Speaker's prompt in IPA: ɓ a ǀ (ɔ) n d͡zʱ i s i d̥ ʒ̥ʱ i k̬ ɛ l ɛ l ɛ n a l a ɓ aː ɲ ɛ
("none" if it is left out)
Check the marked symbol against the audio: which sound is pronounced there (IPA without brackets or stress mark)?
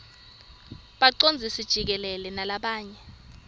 o